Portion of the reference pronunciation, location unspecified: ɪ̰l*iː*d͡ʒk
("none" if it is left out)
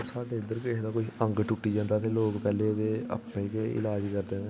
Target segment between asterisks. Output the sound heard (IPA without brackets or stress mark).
aː